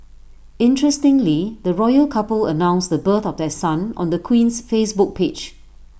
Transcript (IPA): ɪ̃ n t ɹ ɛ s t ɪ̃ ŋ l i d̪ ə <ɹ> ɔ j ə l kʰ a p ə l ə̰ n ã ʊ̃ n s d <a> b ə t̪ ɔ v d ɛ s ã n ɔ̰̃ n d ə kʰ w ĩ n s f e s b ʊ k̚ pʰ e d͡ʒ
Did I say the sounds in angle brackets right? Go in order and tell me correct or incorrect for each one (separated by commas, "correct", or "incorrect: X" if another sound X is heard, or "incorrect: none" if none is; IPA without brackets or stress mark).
correct, incorrect: ə